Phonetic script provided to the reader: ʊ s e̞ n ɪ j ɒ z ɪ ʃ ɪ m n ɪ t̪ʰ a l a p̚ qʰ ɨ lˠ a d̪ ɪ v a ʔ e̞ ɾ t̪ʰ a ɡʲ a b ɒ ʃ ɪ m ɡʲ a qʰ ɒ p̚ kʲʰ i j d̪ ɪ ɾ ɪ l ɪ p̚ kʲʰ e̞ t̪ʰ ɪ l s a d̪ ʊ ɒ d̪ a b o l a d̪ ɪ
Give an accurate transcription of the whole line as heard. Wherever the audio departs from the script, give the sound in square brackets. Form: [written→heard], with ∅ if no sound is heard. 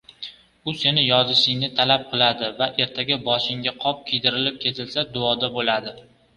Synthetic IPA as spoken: ʊ s e̞ n ɪ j ɒ z ɪ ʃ ɪ [m→ŋ] n ɪ t̪ʰ a l a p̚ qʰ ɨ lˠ a d̪ ɪ v a ʔ e̞ ɾ t̪ʰ a ɡʲ a b ɒ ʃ ɪ [m→ŋ] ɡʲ a qʰ ɒ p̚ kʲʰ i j d̪ ɪ ɾ ɪ l ɪ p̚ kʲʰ e̞ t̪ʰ ɪ l s a d̪ ʊ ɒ d̪ a b o l a d̪ ɪ

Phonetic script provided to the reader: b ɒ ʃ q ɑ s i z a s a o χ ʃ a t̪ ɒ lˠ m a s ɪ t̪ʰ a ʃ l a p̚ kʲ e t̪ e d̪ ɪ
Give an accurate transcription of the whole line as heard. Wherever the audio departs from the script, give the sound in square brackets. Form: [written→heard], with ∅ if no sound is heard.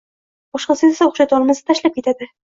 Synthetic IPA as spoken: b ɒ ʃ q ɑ s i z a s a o χ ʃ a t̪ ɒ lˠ m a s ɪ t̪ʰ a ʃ l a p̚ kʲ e t̪ [e→a] d̪ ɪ

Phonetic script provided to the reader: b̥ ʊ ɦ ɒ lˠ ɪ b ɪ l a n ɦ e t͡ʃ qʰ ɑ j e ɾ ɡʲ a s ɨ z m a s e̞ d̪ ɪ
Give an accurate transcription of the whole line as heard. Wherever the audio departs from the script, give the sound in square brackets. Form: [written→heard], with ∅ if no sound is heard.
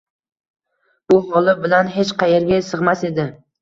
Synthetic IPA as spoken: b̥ ʊ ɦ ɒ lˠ ɪ b ɪ l a n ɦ e t͡ʃ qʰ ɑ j e ɾ ɡʲ a s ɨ [z→ʁ] m a s e̞ d̪ ɪ

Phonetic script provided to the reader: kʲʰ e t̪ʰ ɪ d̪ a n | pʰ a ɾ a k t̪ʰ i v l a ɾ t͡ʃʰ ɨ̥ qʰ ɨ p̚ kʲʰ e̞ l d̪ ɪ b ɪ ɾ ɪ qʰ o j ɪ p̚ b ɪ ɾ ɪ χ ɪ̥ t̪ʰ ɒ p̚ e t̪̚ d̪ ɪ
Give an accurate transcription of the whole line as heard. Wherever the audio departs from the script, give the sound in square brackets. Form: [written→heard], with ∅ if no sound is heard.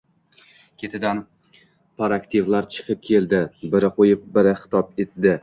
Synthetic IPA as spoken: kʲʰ e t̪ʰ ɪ d̪ a n | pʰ a ɾ a k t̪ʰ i v l a ɾ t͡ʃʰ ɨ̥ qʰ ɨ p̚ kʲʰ e̞ l d̪ ɪ b ɪ ɾ ɪ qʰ o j ɪ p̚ b ɪ ɾ ɪ χ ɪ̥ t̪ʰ ɒ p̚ e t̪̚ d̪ ɪ

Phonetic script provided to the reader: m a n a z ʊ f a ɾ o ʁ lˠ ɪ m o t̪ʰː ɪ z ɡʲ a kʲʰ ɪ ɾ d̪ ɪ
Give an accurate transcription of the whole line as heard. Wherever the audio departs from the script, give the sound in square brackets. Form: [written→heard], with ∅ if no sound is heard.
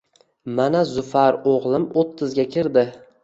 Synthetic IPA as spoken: m a n a z ʊ f a ɾ o ʁ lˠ ɪ m o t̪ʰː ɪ z ɡʲ a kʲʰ ɪ ɾ d̪ ɪ

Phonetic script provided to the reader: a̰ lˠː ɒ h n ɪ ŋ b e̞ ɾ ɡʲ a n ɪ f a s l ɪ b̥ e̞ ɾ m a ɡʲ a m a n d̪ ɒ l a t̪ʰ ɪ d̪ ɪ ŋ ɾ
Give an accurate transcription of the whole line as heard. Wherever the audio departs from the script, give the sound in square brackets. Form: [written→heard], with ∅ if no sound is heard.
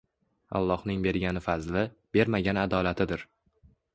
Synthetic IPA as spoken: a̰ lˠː ɒ h n ɪ ŋ b e̞ ɾ ɡʲ a n ɪ f a [s→z] l ɪ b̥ e̞ ɾ m a ɡʲ a [m→n] a [n→∅] d̪ ɒ l a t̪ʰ ɪ d̪ ɪ [ŋ→∅] ɾ

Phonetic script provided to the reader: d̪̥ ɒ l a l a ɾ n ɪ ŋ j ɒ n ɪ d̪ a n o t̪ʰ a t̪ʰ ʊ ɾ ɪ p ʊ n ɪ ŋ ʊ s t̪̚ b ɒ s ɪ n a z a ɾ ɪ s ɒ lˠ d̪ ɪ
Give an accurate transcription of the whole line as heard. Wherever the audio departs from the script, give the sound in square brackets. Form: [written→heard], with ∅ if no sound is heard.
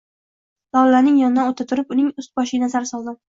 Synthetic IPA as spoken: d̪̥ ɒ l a l a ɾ n ɪ ŋ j ɒ n ɪ d̪ a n o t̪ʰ a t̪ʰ ʊ ɾ ɪ p ʊ n ɪ ŋ ʊ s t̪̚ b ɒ [s→ʃ] ɪ n a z a ɾ ɪ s ɒ lˠ d̪ ɪ

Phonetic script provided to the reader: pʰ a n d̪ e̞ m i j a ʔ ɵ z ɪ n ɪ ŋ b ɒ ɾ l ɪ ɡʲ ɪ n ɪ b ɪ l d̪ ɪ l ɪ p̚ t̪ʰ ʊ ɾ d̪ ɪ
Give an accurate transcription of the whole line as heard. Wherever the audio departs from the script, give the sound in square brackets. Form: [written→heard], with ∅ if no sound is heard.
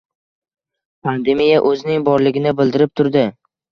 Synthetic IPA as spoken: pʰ a n d̪ e̞ m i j a ʔ ɵ z ɪ n ɪ ŋ b ɒ ɾ l ɪ ɡʲ ɪ n ɪ b ɪ l d̪ ɪ [l→ɾ] ɪ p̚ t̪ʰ ʊ ɾ d̪ ɪ

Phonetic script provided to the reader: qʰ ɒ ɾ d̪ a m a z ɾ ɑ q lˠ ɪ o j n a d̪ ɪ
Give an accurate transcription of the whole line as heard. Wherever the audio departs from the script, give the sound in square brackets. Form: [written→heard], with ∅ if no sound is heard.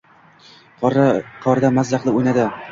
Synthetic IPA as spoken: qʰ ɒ ɾ d̪ a m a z [ɾ→l] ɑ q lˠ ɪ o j n a d̪ ɪ

